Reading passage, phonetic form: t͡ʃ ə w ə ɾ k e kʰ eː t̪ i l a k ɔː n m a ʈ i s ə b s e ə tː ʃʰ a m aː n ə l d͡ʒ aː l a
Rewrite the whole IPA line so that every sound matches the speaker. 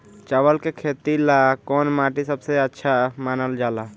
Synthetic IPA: t͡ʃ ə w ə l k e kʰ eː t̪ i l a k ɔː n m a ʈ i s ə b s e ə tː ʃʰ a m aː n ə l d͡ʒ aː l a